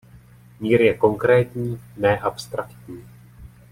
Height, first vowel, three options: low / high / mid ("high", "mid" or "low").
high